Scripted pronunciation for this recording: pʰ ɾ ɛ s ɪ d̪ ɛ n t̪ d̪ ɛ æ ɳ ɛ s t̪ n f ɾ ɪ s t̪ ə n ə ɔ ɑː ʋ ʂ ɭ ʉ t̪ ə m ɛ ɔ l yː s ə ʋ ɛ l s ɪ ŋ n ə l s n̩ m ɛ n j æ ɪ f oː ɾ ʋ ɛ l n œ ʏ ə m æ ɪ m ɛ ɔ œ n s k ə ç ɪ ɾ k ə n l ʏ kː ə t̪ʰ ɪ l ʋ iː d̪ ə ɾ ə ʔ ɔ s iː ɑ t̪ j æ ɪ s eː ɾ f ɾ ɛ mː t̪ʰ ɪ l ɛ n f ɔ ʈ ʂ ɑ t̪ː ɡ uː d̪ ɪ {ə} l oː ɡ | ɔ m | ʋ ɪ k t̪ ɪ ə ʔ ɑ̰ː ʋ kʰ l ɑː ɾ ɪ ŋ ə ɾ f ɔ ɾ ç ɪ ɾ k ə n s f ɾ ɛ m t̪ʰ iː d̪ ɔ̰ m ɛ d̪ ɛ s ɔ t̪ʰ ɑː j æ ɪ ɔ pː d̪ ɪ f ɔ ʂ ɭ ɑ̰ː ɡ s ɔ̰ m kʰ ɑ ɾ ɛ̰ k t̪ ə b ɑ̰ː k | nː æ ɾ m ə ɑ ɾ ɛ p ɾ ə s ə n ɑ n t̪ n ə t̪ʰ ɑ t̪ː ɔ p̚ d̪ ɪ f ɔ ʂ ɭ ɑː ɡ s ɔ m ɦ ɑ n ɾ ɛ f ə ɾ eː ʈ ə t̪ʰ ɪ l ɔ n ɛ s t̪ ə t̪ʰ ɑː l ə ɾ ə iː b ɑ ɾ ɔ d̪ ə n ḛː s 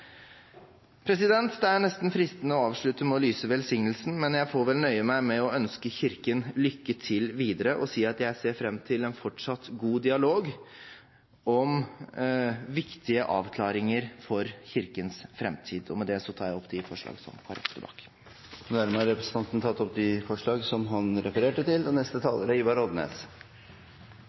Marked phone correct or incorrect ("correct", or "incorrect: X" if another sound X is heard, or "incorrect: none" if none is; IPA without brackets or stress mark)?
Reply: incorrect: ɑ